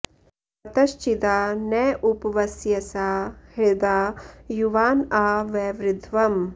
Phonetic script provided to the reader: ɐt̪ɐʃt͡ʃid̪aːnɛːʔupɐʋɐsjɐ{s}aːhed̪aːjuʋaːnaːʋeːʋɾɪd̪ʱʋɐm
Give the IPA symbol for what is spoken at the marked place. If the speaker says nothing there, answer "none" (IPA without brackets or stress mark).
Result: s